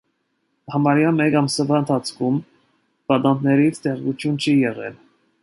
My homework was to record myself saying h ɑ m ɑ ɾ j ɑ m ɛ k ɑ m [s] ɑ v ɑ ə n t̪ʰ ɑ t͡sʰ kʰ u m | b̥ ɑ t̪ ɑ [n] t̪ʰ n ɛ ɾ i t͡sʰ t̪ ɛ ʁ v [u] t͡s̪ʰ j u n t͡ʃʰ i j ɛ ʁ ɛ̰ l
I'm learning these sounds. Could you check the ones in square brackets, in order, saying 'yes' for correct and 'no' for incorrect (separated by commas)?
yes, yes, yes